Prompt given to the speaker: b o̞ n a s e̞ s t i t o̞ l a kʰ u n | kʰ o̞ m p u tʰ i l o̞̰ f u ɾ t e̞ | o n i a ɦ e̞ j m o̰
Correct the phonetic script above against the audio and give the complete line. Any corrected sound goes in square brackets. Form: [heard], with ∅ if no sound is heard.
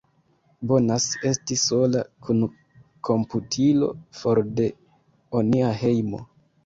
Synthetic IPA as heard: b o̞ n a s e̞ s t i [s] o̞ l a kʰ u n | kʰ o̞ m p u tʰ i l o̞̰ f [o] ɾ [d] e̞ | o n i a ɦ e̞ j m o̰